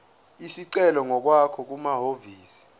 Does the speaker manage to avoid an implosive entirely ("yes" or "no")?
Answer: yes